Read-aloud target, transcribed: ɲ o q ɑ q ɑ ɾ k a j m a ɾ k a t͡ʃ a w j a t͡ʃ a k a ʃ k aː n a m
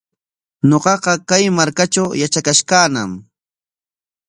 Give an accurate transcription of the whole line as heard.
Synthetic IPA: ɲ o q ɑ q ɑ k a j m a ɾ k a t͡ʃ a w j a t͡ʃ a k a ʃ k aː n a m